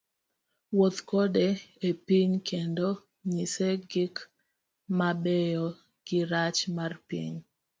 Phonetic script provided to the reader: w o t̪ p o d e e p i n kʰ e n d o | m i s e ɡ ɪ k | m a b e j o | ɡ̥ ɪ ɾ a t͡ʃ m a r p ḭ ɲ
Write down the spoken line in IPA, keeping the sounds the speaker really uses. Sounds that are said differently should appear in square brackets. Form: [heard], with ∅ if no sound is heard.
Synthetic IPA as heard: w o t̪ [k] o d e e p i [ɲ] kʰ e n d o | [ɲ] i s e ɡ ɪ k | m a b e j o | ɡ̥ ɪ ɾ a t͡ʃ m a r p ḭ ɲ